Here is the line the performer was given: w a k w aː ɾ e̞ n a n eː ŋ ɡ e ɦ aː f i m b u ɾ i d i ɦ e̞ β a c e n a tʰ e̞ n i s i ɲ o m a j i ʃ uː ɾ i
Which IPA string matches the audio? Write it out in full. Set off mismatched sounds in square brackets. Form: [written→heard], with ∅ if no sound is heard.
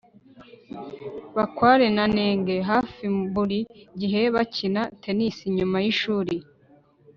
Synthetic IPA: [w→β] a k w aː ɾ e̞ n a n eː ŋ ɡ e ɦ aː f i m b u ɾ i [d→ɟ] i ɦ e̞ β a c [e→i] n a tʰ e̞ n i s i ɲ [o→u] m a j i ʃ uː ɾ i

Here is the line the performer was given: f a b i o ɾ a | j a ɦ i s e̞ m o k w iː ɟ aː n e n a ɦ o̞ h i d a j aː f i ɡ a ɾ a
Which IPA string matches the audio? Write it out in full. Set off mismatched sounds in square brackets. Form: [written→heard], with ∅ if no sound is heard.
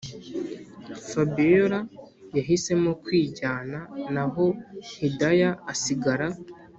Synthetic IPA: f a b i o ɾ a | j a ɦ i s e̞ m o k w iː ɟ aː n [e→a] n a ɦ o̞ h i d a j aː [f→s] i ɡ a ɾ a

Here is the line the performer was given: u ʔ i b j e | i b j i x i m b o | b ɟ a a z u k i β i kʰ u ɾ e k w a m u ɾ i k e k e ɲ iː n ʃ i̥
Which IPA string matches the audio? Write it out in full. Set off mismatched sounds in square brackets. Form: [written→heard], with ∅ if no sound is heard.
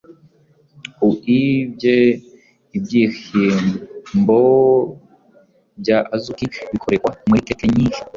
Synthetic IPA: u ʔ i b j e | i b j i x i m b o | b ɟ a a z u k i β i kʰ [u→o] ɾ e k w a m u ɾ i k e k e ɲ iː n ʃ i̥

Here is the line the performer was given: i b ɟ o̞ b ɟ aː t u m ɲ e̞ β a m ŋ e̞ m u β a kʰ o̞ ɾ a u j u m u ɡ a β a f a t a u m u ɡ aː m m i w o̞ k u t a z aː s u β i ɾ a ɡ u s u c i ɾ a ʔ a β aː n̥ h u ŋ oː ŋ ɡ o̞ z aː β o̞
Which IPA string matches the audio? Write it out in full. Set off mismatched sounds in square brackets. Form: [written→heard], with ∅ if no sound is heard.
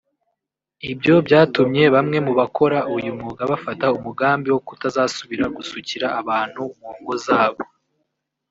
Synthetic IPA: i b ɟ o̞ b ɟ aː t u m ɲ e̞ β a m ŋ e̞ m u β a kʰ o̞ ɾ a u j u m u ɡ a β a f a t a u m u ɡ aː m [m→b] i w o̞ k u t a z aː s u β i ɾ a ɡ u s u c i ɾ a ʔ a β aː n̥ h u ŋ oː ŋ ɡ o̞ z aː β o̞

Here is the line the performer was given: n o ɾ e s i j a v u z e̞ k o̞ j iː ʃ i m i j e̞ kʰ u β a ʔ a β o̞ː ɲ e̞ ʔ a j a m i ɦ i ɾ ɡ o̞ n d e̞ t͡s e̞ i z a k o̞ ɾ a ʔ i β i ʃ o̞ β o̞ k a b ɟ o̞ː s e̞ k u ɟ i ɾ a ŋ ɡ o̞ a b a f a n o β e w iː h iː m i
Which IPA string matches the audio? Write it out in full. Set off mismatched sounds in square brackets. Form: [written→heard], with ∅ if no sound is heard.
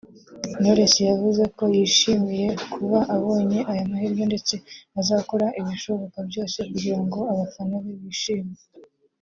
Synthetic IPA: n o ɾ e s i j a v u z e̞ k o̞ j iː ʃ i m i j e̞ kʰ u β a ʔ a β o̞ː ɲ e̞ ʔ a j a m [i→a] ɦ i ɾ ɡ o̞ n d e̞ t͡s e̞ [i→a] z a k o̞ ɾ a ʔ i β i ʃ o̞ β o̞ k a b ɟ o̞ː s e̞ k u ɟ i ɾ a ŋ ɡ o̞ a [b→β] a f a n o β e [w→β] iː [h→ʃ] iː m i

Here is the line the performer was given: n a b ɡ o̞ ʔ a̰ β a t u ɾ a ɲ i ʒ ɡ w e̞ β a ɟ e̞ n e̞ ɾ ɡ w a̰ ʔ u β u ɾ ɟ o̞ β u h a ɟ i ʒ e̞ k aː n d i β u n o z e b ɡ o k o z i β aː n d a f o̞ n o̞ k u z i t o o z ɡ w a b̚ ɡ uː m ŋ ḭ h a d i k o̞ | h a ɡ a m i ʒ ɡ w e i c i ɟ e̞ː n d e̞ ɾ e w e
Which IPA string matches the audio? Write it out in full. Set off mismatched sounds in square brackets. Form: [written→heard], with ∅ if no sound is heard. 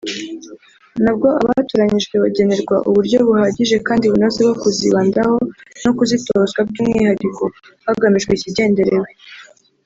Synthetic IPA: n a b ɡ o̞ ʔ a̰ β a t u ɾ a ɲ i ʒ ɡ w e̞ β a ɟ e̞ n e̞ ɾ ɡ w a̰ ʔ u β u ɾ ɟ o̞ β u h a ɟ i ʒ e̞ k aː n d i β u n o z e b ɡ o k [o→u] z i β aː n d a [f→h] o̞ n o̞ k u z i t o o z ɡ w a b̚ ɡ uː m ŋ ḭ h a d i k o̞ | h a ɡ a m i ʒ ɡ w e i c i ɟ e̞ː n d e̞ ɾ e w e

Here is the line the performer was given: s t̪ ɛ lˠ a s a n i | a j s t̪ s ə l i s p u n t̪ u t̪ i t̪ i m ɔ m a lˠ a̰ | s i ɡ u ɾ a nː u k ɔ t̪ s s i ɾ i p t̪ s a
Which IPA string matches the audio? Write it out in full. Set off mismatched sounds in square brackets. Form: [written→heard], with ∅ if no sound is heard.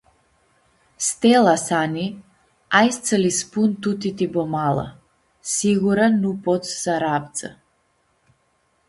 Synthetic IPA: s t̪ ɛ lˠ a s a n i | a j s t̪ s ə l i s p u n t̪ u t̪ i t̪ i [m→b] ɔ m a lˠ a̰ | s i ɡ u ɾ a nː u [k→p] ɔ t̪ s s [i→a] ɾ [i→a] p t̪ s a

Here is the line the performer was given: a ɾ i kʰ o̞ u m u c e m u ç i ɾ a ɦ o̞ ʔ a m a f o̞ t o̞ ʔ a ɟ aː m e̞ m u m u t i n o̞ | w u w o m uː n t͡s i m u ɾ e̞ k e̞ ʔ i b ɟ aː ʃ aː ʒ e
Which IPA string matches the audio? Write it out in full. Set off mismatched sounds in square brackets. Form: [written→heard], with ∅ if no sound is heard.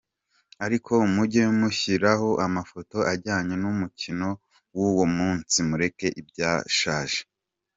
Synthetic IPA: a ɾ i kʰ o̞ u m u [c→ɟ] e m u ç i ɾ a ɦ o̞ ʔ a m a f o̞ t o̞ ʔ a ɟ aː [m→ɲ] e̞ [m→n] u m u [t→c] i n o̞ | w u w o m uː n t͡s i m u ɾ e̞ k e̞ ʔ i b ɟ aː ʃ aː ʒ e

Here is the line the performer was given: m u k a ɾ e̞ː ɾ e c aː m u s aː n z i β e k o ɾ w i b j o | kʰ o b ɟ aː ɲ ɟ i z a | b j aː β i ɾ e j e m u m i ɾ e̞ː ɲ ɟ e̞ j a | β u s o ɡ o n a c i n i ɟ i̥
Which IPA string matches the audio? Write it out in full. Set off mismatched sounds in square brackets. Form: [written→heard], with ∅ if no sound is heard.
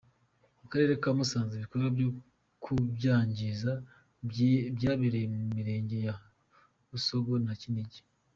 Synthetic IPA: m u k a ɾ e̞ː ɾ e [c→k] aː m u s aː n z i β [e→i] k o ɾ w [i→a] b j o | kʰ [o→u] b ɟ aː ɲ ɟ i z a | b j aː β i ɾ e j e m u m i ɾ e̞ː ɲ ɟ e̞ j a | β u s o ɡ o n a c i n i ɟ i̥

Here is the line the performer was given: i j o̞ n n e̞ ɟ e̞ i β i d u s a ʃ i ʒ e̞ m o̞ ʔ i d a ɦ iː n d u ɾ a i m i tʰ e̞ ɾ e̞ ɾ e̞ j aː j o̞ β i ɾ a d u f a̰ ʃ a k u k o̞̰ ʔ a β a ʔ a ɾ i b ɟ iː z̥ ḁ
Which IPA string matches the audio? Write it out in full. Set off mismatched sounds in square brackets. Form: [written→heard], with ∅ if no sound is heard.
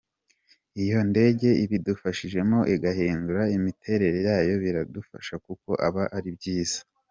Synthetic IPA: i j o̞ n [n→d] e̞ ɟ e̞ i β i d u [s→f] a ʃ i ʒ e̞ m o̞ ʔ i [d→ɡ] a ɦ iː n d u ɾ a i m i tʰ e̞ ɾ e̞ ɾ e̞ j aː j o̞ β i ɾ a d u f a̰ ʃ a k u k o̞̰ ʔ a β a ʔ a ɾ i b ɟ iː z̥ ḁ

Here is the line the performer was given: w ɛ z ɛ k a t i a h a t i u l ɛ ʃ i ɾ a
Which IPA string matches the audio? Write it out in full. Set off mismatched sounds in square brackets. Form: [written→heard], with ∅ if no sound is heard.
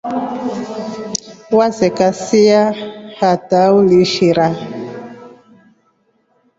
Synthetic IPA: w [ɛ→a] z ɛ k a [t→s] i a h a t [i→a] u l [ɛ→i] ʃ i ɾ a

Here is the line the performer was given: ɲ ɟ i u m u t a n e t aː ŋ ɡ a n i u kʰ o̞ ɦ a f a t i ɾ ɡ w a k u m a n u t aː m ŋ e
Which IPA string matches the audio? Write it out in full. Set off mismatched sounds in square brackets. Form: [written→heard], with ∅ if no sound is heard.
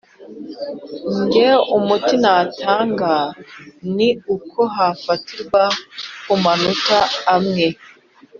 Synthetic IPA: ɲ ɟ [i→e] u m u t [a→i] n [e→a] t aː ŋ ɡ a n i u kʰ o̞ ɦ a f a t i ɾ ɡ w a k u m a n u t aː m ŋ e

